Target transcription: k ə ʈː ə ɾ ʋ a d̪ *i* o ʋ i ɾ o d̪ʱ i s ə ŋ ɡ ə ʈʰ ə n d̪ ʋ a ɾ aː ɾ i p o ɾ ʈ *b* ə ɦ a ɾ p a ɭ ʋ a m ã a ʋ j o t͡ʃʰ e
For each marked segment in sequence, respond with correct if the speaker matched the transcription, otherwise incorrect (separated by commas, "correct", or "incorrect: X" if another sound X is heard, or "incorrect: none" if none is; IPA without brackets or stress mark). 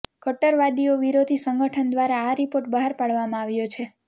correct, correct